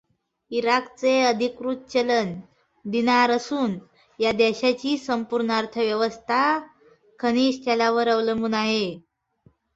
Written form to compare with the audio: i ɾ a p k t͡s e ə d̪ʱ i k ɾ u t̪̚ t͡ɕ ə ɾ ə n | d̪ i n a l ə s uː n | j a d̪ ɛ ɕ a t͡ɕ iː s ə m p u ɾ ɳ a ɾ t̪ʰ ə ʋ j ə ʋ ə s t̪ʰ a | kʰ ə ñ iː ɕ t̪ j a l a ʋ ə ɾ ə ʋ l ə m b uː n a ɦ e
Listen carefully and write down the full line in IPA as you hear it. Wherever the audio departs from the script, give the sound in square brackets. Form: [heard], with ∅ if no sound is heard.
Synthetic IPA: i ɾ a [∅] k t͡s e ə d̪ʱ i k ɾ u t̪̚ t͡ɕ ə [l] ə n | d̪ i n a [ɾ] ə s uː n | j a d̪ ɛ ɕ a t͡ɕ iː s ə m p u ɾ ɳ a ɾ t̪ʰ ə ʋ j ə ʋ ə s t̪ʰ a | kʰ ə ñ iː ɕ t̪ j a l a ʋ ə ɾ ə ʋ l ə m b uː n a ɦ e